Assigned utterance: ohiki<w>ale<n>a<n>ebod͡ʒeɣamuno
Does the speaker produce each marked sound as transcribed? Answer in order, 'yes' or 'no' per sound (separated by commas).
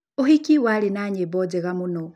yes, yes, no